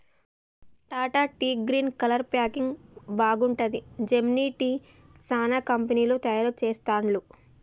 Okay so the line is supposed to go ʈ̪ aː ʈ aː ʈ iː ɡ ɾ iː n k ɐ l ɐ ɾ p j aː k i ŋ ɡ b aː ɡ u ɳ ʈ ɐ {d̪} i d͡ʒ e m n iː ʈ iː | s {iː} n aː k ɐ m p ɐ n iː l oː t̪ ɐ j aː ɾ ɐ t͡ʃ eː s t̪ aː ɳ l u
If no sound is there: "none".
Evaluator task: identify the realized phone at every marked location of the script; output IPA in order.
d̪, aː

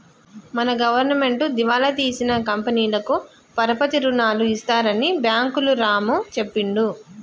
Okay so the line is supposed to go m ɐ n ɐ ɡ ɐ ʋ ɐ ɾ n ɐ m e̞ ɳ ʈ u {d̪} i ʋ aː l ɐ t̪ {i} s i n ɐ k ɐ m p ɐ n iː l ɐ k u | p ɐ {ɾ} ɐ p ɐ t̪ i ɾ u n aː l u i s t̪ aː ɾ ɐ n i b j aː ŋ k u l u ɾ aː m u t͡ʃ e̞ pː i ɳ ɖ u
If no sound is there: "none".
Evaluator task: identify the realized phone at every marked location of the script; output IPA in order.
d̪, iː, ɾ

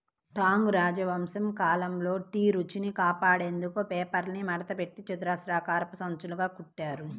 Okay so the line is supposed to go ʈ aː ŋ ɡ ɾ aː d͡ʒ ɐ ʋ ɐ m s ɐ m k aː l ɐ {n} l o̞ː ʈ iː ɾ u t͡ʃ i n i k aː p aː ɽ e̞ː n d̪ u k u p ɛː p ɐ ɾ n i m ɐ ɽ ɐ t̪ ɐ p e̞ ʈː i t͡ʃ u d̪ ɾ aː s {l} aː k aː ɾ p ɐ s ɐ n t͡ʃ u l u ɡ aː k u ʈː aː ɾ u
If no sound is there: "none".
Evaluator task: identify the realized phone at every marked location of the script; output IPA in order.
m, ɾ

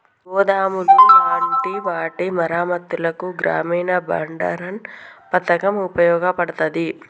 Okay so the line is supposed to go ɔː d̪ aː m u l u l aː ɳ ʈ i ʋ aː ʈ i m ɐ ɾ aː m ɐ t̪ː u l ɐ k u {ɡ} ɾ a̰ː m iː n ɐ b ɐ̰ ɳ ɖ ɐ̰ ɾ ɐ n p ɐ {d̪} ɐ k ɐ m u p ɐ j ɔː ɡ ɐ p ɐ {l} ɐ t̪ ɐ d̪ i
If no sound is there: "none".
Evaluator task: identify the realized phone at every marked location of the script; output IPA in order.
ɡ, t̪, ɽ

